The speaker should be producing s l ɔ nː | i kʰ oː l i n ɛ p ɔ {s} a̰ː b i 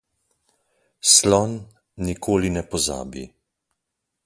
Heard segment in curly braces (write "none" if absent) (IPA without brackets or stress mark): z